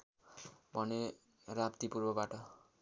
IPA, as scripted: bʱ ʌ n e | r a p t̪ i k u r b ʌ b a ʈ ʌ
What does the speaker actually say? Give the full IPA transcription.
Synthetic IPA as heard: bʱ ʌ n e | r a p t̪ i p u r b ʌ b a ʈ ʌ